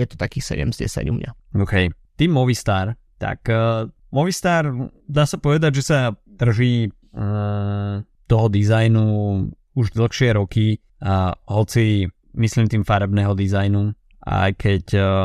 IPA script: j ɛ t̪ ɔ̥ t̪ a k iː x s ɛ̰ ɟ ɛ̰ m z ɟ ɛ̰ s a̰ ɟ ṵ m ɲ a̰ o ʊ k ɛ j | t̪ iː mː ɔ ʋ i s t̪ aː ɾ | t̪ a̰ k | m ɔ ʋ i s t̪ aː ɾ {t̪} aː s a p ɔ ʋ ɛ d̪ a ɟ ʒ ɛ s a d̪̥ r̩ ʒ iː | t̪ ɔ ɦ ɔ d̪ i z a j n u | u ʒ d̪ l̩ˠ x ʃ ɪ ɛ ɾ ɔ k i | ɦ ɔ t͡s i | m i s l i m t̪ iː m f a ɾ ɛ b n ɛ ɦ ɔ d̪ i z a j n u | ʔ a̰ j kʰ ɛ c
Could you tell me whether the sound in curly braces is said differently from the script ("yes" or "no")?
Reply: yes